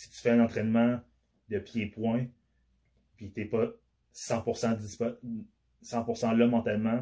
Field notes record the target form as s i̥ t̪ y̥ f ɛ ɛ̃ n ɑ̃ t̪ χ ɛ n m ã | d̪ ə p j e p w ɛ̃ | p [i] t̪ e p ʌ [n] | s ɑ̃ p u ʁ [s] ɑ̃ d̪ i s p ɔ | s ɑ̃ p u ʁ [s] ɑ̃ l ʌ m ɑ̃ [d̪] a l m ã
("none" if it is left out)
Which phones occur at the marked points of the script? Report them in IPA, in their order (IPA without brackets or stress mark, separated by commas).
i, none, s, s, t̪